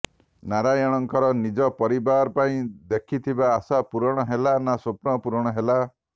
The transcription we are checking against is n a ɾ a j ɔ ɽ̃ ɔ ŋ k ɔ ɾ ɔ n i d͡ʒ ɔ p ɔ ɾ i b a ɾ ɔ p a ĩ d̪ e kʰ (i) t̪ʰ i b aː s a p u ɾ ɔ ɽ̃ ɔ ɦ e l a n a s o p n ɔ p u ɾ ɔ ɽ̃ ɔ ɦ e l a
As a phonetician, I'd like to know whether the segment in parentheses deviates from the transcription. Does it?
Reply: no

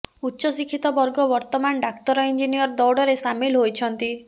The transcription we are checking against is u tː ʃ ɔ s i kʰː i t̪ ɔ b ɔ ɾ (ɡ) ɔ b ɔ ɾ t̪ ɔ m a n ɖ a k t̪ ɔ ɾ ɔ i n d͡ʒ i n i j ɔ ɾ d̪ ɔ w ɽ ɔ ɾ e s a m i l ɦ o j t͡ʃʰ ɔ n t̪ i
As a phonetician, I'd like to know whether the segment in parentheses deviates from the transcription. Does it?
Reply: no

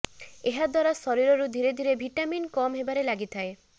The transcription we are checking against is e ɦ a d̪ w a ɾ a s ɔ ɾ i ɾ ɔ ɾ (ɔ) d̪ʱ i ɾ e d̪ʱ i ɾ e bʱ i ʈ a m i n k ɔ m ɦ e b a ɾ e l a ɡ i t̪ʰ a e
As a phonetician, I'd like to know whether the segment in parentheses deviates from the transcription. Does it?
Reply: yes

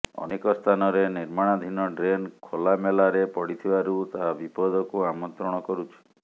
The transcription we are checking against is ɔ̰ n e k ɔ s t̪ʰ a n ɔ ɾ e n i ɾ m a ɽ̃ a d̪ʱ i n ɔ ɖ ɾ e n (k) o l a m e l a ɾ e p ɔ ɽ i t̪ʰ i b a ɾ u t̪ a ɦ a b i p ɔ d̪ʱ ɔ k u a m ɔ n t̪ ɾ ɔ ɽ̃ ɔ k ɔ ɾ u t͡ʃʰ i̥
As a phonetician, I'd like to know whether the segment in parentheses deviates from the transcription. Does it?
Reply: yes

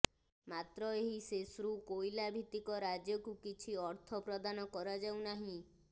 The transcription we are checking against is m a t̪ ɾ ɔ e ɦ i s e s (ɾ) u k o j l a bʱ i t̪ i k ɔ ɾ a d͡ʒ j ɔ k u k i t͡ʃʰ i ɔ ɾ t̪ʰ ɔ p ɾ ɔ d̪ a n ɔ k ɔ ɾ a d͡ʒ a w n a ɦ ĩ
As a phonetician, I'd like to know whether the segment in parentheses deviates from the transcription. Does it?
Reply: no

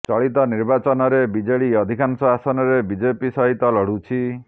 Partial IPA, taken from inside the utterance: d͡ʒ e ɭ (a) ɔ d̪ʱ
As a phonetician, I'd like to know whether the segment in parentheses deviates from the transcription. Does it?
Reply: yes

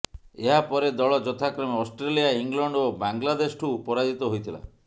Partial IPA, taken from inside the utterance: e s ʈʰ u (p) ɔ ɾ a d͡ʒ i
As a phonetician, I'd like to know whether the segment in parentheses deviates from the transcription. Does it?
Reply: no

